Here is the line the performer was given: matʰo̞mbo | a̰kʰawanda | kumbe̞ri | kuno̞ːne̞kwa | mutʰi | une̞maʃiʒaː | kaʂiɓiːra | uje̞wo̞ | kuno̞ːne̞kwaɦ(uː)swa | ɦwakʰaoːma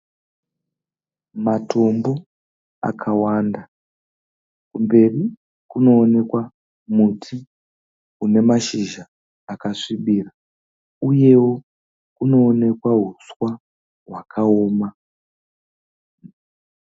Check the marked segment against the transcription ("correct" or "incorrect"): incorrect